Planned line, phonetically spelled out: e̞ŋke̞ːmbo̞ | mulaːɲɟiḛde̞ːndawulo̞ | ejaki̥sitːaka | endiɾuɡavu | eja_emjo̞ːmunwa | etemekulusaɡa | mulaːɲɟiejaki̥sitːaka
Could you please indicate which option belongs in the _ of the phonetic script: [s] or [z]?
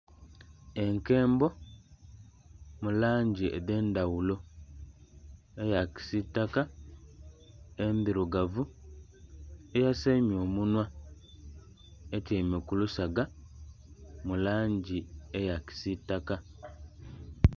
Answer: s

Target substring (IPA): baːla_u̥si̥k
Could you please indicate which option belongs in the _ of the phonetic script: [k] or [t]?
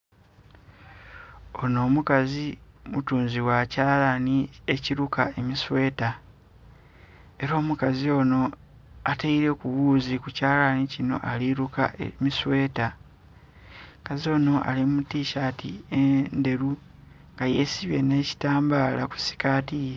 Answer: k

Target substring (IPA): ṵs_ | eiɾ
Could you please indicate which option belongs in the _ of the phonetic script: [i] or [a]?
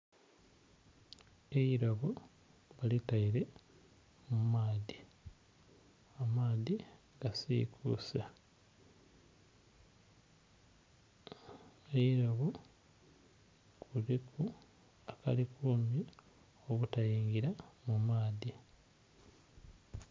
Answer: a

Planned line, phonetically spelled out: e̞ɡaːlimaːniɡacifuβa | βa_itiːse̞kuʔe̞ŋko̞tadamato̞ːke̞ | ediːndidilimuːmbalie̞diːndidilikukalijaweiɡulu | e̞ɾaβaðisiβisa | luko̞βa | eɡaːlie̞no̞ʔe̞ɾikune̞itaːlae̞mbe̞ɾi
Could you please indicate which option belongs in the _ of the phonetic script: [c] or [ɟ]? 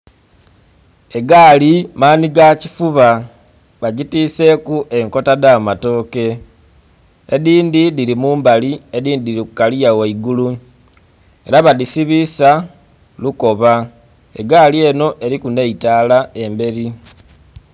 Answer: ɟ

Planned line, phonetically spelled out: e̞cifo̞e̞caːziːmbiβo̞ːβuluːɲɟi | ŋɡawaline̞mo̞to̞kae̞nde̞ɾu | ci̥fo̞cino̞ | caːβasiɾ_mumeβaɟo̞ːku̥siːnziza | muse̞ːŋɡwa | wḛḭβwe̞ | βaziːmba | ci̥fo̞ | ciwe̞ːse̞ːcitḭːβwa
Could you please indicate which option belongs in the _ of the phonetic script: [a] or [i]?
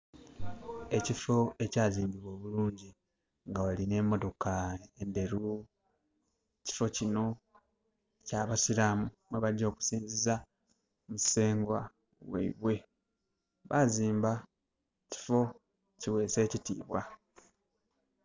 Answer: a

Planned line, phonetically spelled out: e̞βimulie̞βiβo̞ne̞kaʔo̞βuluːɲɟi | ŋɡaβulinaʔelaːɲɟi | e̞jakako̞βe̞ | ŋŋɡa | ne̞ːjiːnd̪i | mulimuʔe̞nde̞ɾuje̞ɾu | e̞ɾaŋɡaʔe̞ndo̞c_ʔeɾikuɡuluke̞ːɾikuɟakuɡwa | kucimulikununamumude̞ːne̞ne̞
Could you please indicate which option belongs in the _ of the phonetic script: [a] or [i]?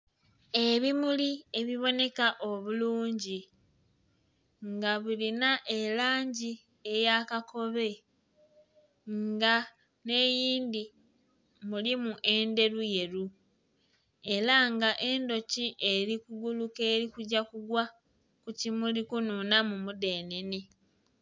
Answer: i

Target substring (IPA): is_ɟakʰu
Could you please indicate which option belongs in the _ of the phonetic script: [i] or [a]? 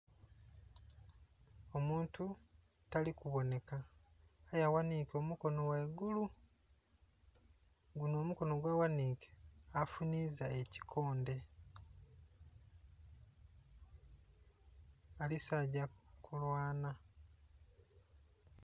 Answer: a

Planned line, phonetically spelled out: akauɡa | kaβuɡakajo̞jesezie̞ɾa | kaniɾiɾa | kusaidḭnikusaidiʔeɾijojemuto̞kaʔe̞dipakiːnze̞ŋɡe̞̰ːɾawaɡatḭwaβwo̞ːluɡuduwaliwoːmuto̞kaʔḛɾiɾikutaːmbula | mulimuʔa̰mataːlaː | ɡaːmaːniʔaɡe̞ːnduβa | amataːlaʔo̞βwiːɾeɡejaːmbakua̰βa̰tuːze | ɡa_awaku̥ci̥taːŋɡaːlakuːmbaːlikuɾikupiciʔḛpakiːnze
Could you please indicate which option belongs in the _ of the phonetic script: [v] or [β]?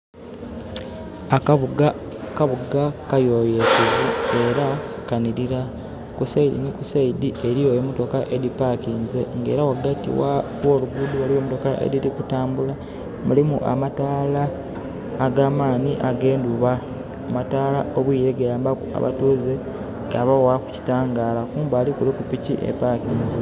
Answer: β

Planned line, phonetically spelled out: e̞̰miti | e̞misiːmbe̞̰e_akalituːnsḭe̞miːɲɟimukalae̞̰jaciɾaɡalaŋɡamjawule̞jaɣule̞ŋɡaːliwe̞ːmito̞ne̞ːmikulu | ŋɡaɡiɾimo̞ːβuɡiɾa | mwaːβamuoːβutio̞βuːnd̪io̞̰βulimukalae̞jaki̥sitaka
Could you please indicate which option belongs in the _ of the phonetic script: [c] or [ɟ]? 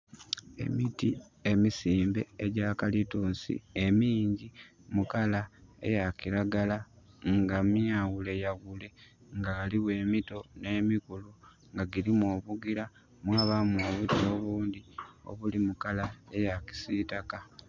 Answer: ɟ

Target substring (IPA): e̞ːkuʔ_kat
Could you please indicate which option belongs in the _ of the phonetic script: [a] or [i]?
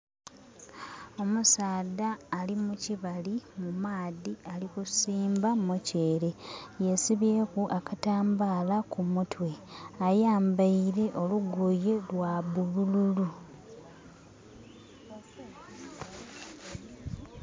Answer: a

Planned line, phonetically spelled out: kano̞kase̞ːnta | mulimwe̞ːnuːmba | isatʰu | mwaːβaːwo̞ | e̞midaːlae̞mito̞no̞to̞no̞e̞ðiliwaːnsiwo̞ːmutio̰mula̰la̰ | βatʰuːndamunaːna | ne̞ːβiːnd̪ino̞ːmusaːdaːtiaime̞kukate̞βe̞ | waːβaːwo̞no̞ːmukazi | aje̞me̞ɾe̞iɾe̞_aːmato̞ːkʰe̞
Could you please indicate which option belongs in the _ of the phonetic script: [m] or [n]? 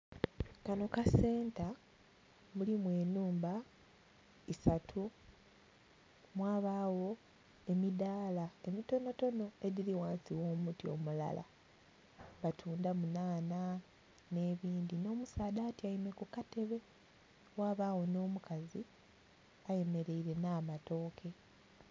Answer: n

